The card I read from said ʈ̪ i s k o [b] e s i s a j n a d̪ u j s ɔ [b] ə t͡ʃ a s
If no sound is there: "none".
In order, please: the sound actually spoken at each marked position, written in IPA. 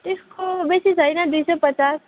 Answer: b, p

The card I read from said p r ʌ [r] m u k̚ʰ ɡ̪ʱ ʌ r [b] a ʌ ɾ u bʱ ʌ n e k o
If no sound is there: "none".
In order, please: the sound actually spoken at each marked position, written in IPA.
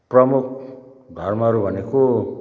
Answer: none, m

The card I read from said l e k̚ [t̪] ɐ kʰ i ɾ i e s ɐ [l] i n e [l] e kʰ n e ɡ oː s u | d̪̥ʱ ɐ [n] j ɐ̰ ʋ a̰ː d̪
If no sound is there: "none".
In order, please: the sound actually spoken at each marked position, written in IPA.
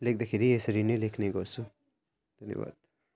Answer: d̪, ɾ, l, n

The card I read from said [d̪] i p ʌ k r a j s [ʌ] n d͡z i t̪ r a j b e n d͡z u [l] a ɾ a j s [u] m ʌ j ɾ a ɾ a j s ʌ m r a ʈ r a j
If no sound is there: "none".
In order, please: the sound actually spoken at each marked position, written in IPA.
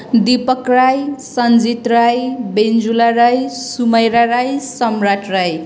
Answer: d̪, ʌ, l, u

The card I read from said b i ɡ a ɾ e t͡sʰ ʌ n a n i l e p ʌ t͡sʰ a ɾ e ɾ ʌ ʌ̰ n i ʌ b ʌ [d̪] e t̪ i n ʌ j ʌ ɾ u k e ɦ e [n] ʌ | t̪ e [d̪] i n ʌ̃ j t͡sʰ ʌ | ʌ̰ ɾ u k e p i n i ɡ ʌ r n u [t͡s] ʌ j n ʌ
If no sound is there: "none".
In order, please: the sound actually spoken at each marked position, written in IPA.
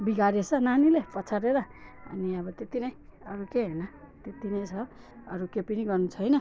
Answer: t̪, n, t̪, t͡sʰ

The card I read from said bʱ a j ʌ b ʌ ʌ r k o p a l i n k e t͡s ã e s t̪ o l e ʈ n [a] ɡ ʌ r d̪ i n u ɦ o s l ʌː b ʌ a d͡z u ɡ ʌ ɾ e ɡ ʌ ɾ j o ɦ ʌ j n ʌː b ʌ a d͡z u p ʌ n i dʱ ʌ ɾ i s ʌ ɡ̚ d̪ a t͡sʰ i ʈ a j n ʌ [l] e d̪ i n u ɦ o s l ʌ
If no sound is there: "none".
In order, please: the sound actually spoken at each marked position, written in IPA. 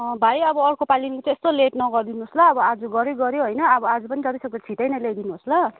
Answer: ʌ, l

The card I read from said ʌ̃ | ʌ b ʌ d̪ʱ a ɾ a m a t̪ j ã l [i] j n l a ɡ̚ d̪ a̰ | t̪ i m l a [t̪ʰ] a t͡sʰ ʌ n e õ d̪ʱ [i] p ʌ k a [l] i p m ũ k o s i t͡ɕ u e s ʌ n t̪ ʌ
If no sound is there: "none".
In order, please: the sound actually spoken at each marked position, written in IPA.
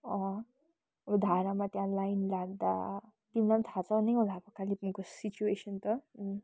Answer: a, t̪ʰ, a, l

